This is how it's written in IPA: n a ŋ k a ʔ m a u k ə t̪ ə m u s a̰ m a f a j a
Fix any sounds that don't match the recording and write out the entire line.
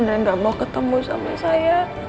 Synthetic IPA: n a ŋ ɡ a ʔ m a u k ə t̪ ə m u s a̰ m a s a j a